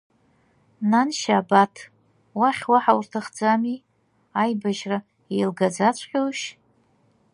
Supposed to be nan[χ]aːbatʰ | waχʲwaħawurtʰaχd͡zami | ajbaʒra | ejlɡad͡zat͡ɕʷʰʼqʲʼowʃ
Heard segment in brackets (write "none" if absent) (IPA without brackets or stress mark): ʃ